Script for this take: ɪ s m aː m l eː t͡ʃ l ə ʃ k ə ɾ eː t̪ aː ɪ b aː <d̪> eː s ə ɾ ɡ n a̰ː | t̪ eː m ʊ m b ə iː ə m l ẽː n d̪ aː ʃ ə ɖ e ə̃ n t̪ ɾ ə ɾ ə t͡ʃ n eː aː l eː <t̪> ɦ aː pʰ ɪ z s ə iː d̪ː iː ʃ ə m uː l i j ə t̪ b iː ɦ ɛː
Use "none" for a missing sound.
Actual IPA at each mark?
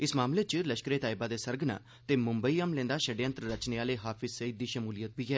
d̪, none

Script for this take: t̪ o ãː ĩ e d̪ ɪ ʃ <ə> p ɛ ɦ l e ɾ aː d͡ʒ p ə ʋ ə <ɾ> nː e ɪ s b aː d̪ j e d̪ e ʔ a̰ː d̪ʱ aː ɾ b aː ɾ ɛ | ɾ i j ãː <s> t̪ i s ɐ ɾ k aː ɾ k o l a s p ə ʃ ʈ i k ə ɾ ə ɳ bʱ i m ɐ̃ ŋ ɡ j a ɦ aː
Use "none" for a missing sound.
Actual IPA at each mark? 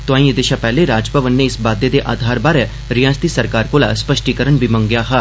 a, none, s

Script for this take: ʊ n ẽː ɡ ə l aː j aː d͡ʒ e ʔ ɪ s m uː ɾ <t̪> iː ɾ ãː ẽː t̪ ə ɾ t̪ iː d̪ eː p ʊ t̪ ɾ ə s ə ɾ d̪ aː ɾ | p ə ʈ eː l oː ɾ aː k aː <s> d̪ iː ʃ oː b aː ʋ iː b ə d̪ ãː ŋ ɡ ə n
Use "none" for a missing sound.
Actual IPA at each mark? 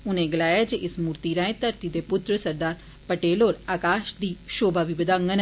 t̪, ʃ

